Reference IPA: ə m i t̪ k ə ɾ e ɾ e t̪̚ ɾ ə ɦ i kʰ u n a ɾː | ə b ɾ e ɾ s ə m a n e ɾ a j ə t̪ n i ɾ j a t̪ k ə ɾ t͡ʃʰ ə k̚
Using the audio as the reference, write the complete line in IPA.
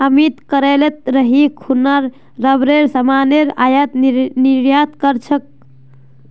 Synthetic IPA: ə m i t̪ k ə ɾ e l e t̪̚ ɾ ə ɦ i kʰ u n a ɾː | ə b ɾ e ɾ s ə m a n e ɾ a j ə t̪ n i ɾ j a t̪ k ə ɾ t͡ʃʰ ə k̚